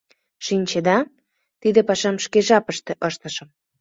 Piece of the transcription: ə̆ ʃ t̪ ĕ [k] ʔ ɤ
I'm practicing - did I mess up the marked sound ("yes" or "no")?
yes